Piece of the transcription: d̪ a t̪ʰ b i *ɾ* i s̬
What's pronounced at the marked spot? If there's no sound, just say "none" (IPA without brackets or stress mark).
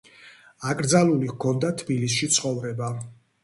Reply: l